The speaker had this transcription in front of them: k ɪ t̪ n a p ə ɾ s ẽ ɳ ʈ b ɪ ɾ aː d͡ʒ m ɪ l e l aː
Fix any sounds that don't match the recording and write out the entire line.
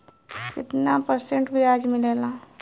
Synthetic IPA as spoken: k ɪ t̪ n a p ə ɾ s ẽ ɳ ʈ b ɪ ɾ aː d͡ʒ m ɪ l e l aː